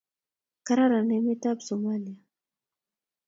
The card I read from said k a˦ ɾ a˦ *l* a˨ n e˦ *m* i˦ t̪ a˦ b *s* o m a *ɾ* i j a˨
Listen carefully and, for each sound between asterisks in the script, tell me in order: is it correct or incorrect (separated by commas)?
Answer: incorrect, correct, correct, incorrect